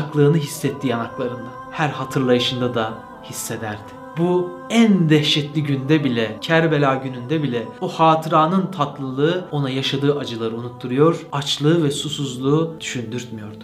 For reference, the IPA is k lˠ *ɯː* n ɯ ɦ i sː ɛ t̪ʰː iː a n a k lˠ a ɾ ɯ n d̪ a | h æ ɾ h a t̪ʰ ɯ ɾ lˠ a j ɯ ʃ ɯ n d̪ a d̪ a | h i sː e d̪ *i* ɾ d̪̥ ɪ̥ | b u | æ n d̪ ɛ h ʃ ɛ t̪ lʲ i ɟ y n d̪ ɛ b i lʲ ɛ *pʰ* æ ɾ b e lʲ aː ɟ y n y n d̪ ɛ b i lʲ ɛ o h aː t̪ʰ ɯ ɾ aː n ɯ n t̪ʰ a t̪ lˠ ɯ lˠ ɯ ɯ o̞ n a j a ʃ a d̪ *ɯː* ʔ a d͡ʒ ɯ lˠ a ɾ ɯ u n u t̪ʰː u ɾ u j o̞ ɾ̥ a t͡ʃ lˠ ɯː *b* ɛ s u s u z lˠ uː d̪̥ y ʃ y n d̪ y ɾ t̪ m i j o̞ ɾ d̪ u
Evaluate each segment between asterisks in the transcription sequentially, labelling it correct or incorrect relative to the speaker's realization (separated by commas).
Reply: correct, incorrect, incorrect, correct, incorrect